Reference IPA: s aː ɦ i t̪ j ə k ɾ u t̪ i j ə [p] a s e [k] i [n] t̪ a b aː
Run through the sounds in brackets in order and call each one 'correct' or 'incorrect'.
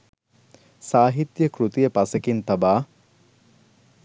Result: correct, correct, correct

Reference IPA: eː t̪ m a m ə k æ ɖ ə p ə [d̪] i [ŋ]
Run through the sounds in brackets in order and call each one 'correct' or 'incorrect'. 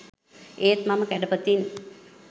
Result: incorrect: t̪, incorrect: n

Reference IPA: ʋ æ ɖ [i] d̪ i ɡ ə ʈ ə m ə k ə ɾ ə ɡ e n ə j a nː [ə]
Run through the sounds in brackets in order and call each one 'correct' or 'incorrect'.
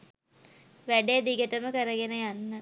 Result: incorrect: e, correct

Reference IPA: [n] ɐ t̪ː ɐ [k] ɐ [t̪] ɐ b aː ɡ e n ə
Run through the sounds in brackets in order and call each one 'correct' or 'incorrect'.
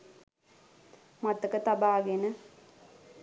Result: incorrect: m, correct, correct

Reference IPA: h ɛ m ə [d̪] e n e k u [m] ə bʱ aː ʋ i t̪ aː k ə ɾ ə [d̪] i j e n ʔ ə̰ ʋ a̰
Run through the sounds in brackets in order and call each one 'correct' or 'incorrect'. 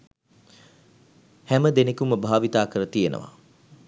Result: correct, correct, incorrect: t̪

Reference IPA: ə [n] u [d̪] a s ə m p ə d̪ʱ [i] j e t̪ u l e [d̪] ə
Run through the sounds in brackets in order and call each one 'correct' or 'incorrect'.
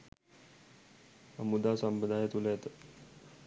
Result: incorrect: m, correct, incorrect: a, incorrect: t̪

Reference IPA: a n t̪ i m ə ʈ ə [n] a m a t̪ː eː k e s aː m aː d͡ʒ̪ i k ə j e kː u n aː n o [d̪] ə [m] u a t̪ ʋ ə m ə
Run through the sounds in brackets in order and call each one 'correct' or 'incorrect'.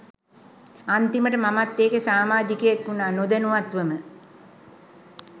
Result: incorrect: m, correct, incorrect: n

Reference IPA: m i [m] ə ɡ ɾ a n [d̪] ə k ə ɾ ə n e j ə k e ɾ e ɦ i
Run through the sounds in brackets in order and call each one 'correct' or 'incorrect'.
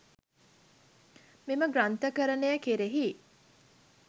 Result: correct, incorrect: t̪

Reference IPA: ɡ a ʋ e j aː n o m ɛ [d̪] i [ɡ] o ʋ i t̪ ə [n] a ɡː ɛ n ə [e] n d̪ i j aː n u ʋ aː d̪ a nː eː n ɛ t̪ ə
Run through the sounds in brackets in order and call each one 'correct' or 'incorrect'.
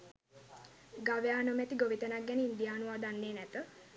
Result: incorrect: t̪, correct, correct, incorrect: i

